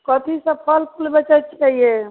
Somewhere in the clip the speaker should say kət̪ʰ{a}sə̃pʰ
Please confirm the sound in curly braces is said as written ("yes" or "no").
no